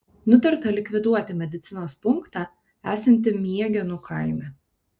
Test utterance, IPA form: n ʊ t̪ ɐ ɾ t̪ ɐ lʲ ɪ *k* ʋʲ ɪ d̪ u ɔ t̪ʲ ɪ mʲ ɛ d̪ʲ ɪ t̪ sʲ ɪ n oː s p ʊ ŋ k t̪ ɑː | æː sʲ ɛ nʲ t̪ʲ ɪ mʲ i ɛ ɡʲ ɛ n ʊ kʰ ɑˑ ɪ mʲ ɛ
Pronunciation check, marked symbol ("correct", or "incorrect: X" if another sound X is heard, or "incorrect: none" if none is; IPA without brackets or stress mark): correct